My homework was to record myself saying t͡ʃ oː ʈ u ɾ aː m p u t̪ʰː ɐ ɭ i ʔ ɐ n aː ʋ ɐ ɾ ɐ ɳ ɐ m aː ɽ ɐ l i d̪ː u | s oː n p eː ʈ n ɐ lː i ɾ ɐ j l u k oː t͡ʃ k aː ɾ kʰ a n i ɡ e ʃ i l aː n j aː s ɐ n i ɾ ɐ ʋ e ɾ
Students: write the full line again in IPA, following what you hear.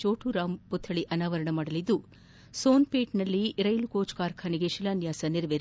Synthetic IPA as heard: t͡ʃ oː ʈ u ɾ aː m p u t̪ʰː ɐ ɭ i ʔ ɐ n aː ʋ ɐ ɾ ɐ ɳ ɐ m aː ɽ ɐ l i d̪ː u | s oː n p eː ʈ n ɐ lː i ɾ ɐ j l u k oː t͡ʃ k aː ɾ kʰ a n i ɡ e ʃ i l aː n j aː s ɐ n i ɾ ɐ ʋ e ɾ